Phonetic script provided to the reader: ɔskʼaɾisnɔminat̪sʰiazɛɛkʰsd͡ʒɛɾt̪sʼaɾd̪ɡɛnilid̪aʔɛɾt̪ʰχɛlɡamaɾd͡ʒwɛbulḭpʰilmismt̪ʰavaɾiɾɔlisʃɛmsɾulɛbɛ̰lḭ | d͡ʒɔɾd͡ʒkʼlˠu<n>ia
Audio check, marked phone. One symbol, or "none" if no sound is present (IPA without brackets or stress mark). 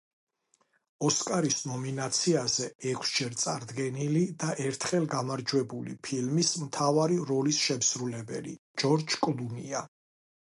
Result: n